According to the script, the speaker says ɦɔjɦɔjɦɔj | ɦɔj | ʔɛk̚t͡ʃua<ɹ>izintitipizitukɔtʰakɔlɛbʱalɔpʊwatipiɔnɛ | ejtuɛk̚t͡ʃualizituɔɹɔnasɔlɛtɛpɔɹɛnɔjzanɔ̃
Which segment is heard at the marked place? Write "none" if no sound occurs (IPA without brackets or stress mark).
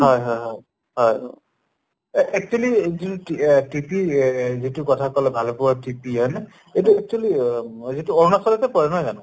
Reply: l